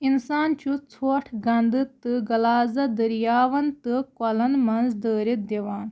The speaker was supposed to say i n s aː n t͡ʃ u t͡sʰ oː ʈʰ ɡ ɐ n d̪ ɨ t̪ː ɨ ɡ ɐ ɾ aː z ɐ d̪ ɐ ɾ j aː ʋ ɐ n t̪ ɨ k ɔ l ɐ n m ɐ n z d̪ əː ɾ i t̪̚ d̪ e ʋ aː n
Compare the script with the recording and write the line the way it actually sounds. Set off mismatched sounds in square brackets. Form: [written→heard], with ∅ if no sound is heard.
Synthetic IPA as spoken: i n s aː n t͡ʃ u t͡sʰ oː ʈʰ ɡ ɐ n d̪ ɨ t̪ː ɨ ɡ ɐ [ɾ→l] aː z ɐ d̪ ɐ ɾ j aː ʋ ɐ n t̪ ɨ k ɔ l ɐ n m ɐ n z d̪ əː ɾ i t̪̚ d̪ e ʋ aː n

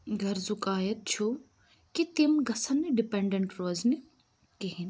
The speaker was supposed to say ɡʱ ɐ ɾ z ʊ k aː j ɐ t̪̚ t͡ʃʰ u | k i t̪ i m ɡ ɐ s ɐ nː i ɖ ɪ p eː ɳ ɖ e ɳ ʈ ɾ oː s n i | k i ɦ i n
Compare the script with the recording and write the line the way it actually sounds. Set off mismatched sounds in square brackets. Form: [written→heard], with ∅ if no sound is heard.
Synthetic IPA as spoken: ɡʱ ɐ ɾ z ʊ k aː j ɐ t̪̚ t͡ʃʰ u | k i t̪ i m ɡ ɐ s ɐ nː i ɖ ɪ p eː ɳ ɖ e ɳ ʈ ɾ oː [s→z] n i | k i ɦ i n

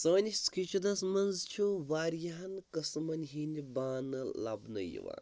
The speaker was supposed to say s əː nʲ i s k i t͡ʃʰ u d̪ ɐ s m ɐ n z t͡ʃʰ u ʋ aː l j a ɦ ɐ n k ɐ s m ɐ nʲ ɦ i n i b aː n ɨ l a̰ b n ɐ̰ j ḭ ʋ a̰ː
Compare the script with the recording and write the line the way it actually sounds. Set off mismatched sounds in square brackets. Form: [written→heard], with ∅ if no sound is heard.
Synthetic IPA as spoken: s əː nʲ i s k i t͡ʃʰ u d̪ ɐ s m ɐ n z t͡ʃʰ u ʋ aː [l→ɾ] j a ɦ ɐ n k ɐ s m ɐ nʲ ɦ i n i b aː n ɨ l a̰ b n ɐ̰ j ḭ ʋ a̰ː

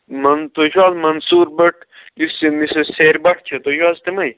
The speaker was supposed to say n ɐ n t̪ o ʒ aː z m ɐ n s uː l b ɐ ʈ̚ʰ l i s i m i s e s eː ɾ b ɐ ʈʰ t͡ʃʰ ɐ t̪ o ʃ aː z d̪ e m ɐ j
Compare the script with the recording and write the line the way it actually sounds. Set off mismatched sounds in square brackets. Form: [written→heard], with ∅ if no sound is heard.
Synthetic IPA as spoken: [n→m] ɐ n t̪ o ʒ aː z m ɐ n s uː [l→ɾ] b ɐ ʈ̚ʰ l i s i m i s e s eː ɾ b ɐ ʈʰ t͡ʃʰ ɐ t̪ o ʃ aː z [d̪→t̪] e m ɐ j

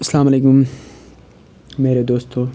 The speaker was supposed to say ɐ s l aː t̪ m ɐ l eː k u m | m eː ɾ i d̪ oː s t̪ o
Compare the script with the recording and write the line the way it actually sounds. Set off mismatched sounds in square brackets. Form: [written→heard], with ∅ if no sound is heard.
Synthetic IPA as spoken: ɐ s l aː [t̪→∅] m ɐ l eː k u m | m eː ɾ [i→e] d̪ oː s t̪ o

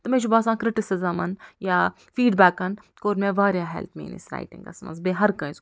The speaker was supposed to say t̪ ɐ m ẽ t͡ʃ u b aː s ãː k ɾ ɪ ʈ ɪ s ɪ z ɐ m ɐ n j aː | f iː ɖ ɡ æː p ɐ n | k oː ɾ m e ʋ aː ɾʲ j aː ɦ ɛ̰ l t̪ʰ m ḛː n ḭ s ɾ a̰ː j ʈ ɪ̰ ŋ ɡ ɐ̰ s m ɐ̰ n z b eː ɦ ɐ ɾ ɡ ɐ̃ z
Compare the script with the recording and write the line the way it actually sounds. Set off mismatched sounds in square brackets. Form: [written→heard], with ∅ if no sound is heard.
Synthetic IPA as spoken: t̪ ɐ m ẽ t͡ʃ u b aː s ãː k ɾ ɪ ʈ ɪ s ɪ z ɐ m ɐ n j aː | f iː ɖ [ɡ→b] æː [p→k] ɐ n | k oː ɾ m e ʋ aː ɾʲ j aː ɦ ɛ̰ l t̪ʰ m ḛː n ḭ s ɾ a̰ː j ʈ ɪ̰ ŋ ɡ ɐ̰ s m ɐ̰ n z b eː ɦ ɐ ɾ [ɡ→k] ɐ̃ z

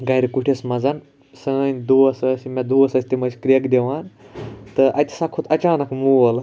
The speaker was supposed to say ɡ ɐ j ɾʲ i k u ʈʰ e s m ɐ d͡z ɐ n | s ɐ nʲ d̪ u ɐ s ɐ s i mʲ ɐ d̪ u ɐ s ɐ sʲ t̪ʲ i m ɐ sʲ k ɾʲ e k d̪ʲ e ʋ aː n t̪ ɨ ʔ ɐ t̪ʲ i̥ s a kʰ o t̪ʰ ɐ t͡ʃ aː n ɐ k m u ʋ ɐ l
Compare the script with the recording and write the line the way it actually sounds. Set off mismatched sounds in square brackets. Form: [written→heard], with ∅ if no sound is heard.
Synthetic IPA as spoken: ɡ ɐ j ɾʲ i k u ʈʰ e s m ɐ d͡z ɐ n | s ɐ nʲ d̪ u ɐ s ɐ s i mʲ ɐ d̪ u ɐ s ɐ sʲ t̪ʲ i m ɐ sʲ k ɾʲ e k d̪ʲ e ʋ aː n t̪ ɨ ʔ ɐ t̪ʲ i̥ s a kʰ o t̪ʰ ɐ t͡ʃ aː n ɐ k m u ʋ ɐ l

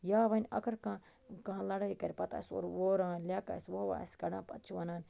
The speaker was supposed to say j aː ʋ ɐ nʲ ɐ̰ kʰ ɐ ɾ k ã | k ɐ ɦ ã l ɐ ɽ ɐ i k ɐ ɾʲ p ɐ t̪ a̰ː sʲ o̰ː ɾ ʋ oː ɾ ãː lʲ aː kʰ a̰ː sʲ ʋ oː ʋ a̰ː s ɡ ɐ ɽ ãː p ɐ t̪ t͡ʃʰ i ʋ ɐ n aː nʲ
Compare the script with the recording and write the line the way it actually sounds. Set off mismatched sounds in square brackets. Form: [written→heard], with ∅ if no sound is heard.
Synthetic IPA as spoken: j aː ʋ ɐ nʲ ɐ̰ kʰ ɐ ɾ k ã | k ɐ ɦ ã l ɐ ɽ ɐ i k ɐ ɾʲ p ɐ t̪ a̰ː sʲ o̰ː ɾ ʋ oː ɾ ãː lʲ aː [kʰ→k] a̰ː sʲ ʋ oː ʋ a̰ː s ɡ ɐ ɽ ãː p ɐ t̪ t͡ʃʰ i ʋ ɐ n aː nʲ

